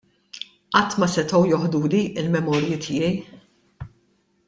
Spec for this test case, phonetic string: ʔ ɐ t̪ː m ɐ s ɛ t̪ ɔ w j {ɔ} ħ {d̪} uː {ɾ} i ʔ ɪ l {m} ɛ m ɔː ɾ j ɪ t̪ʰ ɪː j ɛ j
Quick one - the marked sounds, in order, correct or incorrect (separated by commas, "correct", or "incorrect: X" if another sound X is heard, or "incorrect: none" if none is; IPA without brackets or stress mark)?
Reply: correct, correct, incorrect: l, correct